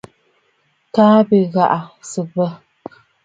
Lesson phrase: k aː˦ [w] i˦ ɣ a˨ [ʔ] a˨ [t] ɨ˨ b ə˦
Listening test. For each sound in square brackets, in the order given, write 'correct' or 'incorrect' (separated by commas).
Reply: incorrect, correct, incorrect